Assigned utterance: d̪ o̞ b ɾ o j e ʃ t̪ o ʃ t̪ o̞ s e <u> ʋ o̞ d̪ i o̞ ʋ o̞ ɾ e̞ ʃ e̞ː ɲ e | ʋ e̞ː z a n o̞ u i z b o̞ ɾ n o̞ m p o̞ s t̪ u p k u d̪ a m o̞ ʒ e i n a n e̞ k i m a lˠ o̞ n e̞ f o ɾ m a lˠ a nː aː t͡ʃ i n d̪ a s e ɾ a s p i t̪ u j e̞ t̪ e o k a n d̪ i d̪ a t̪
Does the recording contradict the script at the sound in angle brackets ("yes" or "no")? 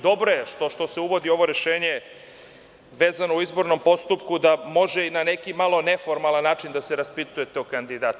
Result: no